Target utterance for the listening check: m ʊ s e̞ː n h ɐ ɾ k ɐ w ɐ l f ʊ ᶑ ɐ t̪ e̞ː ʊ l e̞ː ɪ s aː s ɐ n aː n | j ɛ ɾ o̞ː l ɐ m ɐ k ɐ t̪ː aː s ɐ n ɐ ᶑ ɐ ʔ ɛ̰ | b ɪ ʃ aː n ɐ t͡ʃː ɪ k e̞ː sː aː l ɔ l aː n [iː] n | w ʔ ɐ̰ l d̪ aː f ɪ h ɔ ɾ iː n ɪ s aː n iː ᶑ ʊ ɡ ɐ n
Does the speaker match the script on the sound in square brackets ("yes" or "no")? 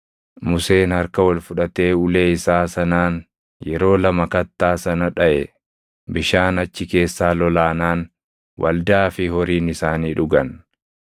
no